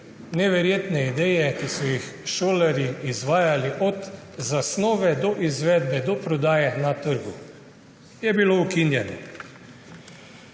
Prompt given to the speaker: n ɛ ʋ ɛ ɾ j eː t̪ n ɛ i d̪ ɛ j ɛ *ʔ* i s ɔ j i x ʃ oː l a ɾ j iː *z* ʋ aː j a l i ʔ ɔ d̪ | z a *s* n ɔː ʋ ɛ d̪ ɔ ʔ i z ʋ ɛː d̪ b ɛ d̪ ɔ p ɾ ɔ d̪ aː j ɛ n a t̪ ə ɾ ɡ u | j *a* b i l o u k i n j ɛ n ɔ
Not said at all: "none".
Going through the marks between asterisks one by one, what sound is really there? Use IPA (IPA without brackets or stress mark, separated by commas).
k, z, s, ɛ